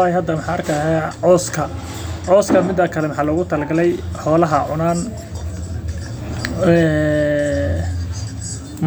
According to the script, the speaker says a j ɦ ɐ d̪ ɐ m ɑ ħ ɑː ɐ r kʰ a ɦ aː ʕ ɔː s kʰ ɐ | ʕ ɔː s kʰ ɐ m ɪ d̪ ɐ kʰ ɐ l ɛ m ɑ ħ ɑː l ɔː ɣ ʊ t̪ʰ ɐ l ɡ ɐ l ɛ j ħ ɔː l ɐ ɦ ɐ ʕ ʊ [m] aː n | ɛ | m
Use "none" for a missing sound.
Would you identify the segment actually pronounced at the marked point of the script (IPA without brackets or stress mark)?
n